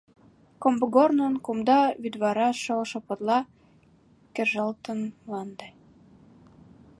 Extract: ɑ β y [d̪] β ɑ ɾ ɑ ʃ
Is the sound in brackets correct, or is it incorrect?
correct